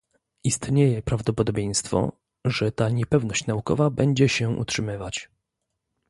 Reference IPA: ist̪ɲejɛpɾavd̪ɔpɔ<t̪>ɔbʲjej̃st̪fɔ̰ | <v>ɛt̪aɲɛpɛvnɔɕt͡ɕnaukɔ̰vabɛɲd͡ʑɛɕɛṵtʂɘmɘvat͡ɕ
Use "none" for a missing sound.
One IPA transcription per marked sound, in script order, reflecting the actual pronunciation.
d̪, ʐ

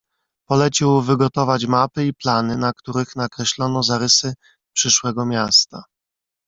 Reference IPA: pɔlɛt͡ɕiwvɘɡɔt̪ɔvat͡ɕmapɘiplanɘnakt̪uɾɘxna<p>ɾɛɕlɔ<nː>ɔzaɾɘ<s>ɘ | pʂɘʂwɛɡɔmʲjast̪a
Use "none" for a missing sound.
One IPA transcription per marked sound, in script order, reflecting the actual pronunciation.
k, n, s

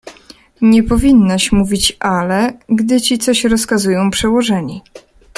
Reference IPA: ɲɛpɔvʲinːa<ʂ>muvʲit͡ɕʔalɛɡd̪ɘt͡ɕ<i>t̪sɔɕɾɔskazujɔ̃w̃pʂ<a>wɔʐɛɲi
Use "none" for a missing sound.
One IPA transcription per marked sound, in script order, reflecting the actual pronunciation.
ɕ, i, ɛ

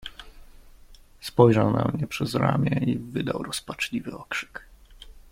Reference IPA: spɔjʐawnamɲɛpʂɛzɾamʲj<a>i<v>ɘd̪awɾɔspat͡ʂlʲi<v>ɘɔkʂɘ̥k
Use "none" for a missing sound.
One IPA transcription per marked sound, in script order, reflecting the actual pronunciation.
ɛ, v, v

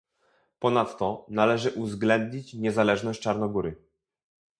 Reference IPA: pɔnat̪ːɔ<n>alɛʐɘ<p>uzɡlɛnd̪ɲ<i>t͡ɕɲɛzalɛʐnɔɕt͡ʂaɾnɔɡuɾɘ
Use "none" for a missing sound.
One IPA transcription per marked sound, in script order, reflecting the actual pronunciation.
n, ʔ, i

